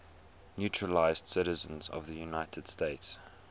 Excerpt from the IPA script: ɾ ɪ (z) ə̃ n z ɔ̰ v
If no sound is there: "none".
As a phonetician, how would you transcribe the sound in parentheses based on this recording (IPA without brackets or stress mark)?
z